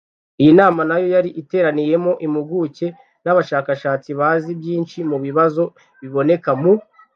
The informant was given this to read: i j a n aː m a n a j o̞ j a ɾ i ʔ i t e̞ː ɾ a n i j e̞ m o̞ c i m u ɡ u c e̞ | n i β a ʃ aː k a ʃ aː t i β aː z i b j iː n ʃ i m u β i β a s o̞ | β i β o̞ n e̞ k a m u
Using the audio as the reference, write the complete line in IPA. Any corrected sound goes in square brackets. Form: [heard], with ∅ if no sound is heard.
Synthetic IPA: i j [i] n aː m a n a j o̞ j a ɾ i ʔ i t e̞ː ɾ a n i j e̞ m o̞ [ʔ] i m u ɡ u c e̞ | n [a] β a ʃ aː k a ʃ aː [t͡s] i β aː z i b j iː n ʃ i m u β i β a [z] o̞ | β i β o̞ n e̞ k a m u